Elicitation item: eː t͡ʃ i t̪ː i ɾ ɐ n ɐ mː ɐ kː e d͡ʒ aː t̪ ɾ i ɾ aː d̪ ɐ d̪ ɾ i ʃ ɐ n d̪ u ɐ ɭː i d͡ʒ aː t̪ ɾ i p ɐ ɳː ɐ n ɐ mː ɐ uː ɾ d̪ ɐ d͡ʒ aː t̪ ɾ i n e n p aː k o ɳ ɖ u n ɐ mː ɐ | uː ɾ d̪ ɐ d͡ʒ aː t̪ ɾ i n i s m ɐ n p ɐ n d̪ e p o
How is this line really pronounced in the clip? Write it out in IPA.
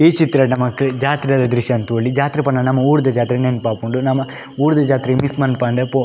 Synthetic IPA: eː t͡ʃ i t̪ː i ɾ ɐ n ɐ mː ɐ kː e d͡ʒ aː t̪ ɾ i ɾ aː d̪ ɐ d̪ ɾ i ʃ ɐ n t̪ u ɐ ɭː i d͡ʒ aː t̪ ɾ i p ɐ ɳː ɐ n ɐ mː ɐ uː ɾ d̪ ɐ d͡ʒ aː t̪ ɾ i n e n p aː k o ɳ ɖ u n ɐ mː ɐ | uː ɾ d̪ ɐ d͡ʒ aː t̪ ɾ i m i s m ɐ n p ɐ n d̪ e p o